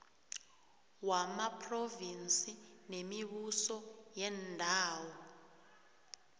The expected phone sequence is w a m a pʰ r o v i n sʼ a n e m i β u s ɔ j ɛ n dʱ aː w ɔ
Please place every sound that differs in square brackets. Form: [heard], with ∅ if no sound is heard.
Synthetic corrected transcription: w a m a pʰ r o v i n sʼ [i] n e m i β u s ɔ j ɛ n dʱ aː w ɔ